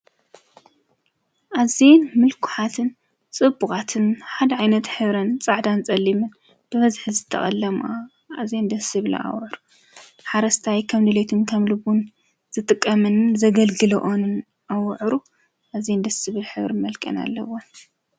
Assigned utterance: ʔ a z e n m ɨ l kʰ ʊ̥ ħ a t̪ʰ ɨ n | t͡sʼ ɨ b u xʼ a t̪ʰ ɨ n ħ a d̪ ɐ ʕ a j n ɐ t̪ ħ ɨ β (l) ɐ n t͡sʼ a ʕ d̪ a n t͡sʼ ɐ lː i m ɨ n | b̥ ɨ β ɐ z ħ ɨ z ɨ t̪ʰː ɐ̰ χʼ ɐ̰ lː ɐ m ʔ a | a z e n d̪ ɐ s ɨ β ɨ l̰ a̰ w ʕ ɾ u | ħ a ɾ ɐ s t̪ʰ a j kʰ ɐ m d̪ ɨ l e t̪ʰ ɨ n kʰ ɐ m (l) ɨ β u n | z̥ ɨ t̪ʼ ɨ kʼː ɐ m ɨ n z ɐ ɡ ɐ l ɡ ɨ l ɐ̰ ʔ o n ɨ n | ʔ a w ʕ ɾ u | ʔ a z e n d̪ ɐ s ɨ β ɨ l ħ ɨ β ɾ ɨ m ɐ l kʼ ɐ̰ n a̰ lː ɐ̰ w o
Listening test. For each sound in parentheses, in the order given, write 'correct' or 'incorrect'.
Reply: incorrect: ɾ, correct

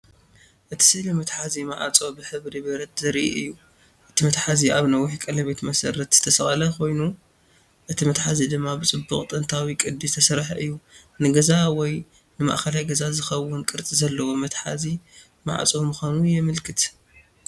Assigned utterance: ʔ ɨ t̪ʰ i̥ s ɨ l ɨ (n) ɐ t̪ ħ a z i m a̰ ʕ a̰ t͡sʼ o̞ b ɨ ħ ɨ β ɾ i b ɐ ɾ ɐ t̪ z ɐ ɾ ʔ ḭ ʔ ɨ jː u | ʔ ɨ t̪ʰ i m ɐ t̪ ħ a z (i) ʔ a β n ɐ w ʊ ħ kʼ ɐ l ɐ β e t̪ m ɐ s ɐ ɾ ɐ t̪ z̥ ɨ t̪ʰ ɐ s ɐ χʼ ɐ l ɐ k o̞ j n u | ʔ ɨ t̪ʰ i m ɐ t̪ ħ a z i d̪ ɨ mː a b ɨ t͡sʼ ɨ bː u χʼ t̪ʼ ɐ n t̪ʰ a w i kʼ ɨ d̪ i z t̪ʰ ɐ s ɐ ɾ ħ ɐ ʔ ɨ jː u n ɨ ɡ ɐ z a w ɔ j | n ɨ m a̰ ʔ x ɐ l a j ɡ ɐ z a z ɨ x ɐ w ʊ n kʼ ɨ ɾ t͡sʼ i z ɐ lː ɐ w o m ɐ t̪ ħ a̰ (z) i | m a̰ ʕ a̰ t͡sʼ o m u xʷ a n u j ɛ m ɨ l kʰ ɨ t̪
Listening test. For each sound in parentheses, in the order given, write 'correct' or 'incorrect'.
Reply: incorrect: m, correct, correct

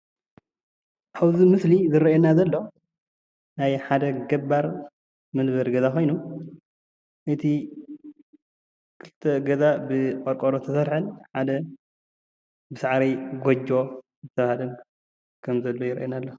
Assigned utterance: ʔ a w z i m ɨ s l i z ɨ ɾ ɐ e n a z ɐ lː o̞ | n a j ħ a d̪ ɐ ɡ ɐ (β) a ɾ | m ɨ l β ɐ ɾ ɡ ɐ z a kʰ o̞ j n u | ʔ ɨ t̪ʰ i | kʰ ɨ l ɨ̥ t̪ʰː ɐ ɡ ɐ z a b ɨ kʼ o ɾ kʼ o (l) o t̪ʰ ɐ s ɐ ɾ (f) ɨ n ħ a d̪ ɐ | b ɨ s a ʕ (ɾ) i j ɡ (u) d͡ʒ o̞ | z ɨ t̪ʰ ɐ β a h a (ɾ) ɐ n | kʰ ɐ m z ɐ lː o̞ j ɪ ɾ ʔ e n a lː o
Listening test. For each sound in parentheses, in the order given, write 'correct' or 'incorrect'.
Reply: incorrect: b, incorrect: ɾ, incorrect: ħ, correct, incorrect: o, incorrect: l

